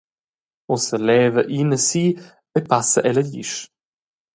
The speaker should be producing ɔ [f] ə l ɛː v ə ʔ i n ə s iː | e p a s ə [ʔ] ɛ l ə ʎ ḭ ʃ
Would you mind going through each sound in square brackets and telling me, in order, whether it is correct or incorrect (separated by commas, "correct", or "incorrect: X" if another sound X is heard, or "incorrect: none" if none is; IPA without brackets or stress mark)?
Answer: incorrect: s, correct